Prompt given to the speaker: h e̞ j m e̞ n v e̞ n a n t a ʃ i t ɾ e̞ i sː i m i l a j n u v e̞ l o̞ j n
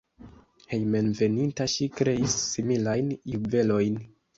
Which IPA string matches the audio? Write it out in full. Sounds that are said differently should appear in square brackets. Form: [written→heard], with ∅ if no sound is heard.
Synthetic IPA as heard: h e̞ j m e̞ n v e̞ n [a→i] n t a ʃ i [t→k] ɾ e̞ i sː i m i l a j n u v e̞ l o̞ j n